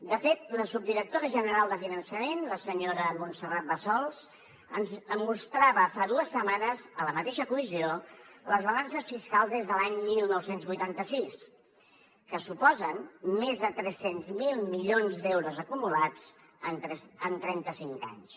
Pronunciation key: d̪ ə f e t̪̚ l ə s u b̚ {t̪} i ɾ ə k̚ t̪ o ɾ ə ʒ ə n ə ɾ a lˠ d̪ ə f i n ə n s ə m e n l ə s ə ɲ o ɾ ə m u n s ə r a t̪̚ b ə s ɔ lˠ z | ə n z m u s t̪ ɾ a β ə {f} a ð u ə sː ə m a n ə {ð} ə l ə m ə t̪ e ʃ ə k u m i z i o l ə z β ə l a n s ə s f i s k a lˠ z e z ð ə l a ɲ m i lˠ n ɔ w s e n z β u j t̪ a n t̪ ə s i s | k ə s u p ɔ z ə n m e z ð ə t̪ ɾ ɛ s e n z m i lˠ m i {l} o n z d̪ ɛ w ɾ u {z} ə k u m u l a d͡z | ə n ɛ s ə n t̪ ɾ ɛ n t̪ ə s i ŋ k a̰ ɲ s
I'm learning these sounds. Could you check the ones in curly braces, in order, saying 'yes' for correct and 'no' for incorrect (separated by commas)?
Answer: no, yes, no, no, yes